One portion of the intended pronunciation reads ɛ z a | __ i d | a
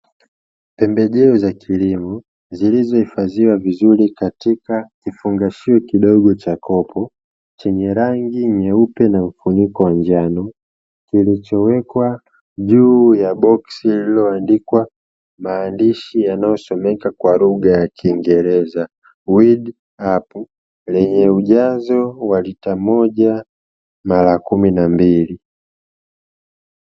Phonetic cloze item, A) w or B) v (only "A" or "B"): A